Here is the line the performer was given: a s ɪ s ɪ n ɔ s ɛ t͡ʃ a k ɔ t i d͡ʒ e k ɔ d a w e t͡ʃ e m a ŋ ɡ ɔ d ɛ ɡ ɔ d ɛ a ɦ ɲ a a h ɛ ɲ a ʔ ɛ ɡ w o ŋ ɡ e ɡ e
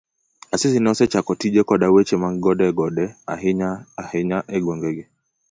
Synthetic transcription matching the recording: a s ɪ s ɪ n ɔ s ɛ t͡ʃ a k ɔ t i d͡ʒ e k ɔ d a w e t͡ʃ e m a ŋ ɡ ɔ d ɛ ɡ ɔ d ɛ a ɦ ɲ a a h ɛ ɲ a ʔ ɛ ɡ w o ŋ ɡ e ɡ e

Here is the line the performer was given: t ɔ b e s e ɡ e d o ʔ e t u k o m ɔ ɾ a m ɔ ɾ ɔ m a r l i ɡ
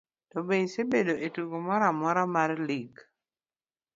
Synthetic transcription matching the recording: t ɔ b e s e b e d o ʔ e t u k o m ɔ ɾ a m ɔ ɾ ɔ m a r l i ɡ

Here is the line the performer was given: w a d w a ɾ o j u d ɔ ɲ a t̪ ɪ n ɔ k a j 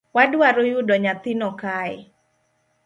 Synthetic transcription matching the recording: w a d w a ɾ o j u d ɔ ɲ a t̪ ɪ n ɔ k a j

